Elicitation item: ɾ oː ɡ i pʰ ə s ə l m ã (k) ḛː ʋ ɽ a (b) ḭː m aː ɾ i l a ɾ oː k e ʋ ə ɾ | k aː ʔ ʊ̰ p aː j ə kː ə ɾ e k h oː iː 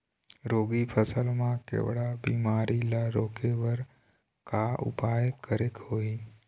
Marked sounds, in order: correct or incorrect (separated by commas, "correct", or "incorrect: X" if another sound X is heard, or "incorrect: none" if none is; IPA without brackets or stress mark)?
correct, correct